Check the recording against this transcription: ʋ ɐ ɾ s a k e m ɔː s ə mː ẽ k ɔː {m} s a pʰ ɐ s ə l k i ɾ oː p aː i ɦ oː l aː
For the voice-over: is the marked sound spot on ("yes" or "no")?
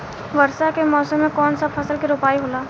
no